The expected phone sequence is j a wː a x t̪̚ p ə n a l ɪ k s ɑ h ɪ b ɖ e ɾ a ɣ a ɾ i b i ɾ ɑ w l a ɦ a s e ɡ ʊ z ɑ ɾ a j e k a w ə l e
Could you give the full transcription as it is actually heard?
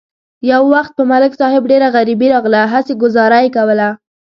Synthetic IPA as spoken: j a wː a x t̪̚ p ə m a l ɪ k s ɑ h ɪ b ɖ e ɾ a ɣ a ɾ i b i ɾ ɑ ɣ l a ɦ a s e ɡ ʊ z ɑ ɾ a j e k a w ə l a